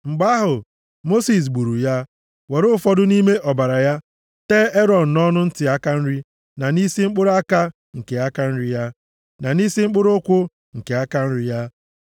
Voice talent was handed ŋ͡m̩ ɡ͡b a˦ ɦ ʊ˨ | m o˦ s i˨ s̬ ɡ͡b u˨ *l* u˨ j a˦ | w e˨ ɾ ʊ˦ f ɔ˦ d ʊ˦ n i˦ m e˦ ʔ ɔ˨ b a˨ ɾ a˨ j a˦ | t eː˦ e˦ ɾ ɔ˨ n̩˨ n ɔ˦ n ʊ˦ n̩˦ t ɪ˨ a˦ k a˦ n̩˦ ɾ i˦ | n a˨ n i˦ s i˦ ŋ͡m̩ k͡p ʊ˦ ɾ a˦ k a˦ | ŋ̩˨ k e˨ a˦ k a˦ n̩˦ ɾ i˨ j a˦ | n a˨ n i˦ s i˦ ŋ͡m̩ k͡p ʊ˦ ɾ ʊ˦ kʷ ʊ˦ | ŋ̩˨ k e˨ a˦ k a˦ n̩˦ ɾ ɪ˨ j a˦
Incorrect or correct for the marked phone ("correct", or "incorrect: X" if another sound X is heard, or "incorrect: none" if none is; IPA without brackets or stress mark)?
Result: incorrect: ɾ